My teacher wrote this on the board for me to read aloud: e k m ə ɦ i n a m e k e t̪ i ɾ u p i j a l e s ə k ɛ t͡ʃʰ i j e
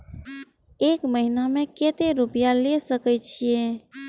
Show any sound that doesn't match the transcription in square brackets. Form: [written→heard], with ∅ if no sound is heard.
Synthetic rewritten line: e k m ə ɦ i n a m e k e t̪ [i→e] ɾ u p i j a l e s ə k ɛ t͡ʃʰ i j e